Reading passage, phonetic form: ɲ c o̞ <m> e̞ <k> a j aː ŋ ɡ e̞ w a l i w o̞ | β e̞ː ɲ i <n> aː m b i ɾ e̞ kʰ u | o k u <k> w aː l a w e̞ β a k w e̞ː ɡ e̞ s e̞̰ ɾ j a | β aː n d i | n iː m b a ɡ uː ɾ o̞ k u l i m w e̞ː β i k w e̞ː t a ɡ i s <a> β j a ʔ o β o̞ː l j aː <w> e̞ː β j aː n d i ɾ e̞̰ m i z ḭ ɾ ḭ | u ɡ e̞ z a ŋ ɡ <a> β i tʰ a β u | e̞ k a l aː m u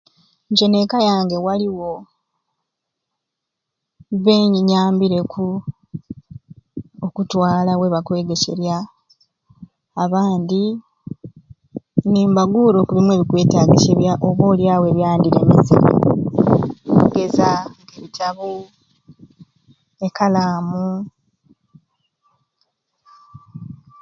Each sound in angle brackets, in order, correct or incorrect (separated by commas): incorrect, correct, incorrect, incorrect, incorrect, correct, incorrect